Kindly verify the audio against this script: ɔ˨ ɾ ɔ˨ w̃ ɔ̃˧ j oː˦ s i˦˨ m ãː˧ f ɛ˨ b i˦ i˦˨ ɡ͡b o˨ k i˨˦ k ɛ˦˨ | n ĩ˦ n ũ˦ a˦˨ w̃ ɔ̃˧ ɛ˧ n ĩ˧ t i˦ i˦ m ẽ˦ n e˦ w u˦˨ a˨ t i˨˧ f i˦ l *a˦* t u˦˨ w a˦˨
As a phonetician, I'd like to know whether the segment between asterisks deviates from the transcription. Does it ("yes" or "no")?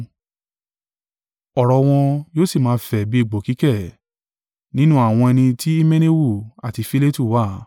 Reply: yes